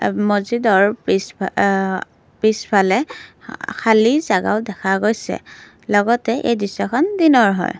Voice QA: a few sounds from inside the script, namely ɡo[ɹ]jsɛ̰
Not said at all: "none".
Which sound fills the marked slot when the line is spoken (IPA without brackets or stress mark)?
none